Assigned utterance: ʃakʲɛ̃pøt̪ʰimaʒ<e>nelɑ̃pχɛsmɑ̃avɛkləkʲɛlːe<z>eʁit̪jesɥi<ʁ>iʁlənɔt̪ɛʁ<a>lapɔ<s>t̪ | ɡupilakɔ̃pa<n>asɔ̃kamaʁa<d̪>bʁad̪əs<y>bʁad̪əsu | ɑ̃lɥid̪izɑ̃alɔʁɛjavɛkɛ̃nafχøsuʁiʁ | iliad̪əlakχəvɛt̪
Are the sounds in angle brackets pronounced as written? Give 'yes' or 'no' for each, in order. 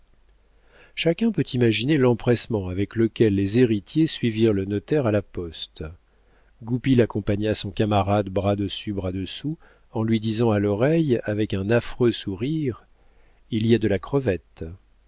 no, yes, no, yes, yes, no, yes, yes

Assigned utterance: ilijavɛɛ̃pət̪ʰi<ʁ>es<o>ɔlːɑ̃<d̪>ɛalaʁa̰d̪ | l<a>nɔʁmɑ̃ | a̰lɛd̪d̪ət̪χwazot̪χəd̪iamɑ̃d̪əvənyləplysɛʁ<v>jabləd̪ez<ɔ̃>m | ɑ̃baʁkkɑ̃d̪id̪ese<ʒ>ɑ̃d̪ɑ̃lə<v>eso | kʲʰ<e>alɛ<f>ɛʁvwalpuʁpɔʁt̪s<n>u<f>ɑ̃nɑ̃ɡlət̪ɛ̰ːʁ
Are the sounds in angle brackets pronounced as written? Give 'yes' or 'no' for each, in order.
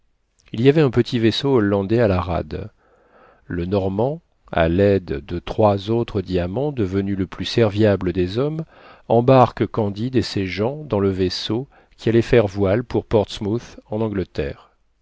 no, yes, yes, no, yes, no, yes, yes, no, yes, no, no

